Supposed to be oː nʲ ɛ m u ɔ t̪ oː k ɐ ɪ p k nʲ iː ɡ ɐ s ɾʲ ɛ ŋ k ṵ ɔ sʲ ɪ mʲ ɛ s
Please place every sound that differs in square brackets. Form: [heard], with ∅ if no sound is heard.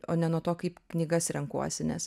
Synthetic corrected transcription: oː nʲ ɛ [n] u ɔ t̪ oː k ɐ ɪ p k nʲ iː ɡ ɐ s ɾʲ ɛ ŋ k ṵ ɔ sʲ ɪ [nʲ] ɛ s